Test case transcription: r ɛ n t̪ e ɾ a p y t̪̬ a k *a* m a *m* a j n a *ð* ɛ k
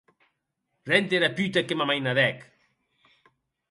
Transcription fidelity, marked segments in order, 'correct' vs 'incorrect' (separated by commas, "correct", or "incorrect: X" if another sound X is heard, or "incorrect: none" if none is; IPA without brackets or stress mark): incorrect: e, correct, correct